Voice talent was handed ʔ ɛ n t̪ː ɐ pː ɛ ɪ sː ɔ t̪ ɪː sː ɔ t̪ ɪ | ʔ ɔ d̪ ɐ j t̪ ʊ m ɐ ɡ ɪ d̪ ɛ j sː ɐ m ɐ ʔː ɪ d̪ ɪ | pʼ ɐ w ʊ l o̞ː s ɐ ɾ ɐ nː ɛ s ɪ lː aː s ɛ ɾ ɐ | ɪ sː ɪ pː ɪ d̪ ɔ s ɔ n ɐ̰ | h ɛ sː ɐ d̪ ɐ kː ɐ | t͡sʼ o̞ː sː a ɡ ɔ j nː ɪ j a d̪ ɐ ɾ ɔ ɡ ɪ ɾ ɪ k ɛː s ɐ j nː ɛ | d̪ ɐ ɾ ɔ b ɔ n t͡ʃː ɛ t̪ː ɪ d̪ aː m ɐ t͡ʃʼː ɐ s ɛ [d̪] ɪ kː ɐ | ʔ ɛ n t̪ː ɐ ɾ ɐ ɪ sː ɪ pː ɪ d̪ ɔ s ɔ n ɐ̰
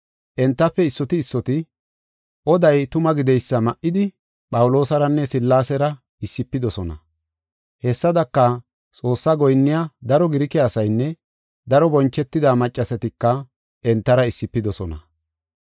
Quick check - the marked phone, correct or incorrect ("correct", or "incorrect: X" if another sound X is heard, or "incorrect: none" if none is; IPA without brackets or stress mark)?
incorrect: t̪